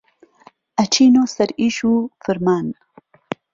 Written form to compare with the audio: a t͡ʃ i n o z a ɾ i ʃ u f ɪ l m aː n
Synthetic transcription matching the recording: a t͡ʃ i n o s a ɾ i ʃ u f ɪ ɾ m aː n